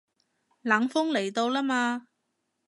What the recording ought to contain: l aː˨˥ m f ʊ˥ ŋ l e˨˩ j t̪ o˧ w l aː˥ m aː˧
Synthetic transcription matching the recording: l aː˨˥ ŋ f ʊ˥ ŋ l e˨˩ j t̪ o˧ w l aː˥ m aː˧